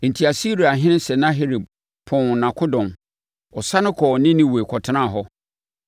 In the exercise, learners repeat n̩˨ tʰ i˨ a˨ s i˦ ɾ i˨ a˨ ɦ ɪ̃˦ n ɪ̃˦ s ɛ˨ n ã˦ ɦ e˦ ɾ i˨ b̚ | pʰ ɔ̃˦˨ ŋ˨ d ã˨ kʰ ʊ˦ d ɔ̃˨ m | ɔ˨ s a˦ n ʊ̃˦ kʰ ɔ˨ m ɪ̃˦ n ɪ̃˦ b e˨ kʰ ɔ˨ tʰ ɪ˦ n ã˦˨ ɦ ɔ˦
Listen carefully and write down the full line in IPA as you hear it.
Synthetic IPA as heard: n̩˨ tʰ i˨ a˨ s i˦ ɾ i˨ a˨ ɦ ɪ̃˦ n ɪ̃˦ s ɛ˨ n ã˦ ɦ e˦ ɾ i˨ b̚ | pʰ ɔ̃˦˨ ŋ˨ n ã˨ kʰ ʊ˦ d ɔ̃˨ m | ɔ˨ s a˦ n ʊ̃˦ kʰ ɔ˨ n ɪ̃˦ n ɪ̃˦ w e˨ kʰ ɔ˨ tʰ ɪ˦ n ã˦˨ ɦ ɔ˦